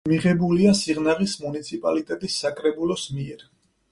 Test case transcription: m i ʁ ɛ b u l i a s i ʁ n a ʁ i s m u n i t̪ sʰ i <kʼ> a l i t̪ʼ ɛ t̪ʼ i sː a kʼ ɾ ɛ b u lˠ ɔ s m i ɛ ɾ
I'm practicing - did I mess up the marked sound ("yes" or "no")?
yes